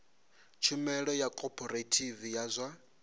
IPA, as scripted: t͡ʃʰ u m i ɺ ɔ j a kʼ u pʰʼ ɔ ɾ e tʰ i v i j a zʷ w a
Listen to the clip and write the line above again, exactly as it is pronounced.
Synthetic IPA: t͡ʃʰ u m ɛ ɺ ɔ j a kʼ ɔ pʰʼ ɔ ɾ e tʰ i v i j a zʷ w a

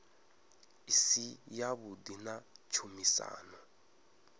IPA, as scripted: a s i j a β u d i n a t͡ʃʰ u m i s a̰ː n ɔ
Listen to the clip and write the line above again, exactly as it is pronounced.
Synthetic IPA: i s i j a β u d i n a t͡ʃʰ u m i s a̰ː n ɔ

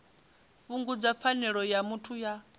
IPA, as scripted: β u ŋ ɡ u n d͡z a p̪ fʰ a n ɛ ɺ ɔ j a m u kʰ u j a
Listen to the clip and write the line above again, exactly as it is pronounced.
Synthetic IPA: β u ŋ ɡ u d͡z a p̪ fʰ a n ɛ ɺ ɔ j a m u tʰ u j a

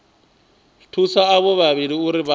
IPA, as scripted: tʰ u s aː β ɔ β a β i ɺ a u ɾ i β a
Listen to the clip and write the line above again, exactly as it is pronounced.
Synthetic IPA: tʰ u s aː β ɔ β a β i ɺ i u ɾ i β a

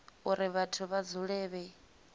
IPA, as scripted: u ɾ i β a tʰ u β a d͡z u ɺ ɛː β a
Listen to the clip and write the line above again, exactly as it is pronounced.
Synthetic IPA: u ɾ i β a tʰ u β a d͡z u ɺ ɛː β ɛ

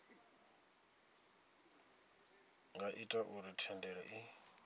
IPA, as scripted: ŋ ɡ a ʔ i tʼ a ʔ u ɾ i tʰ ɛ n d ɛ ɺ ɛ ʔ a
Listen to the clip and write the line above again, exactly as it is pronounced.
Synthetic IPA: ŋ ɡ a ʔ i tʼ a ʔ u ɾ i tʰ ɛ n d ɛ ɺ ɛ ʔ i

